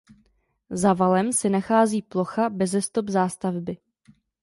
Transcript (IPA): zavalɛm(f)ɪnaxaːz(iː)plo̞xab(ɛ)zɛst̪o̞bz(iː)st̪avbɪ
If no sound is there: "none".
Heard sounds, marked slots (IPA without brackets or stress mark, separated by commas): s, iː, ɛ, aː